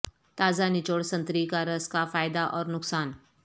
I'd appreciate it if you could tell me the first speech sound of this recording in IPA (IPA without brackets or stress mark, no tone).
t̪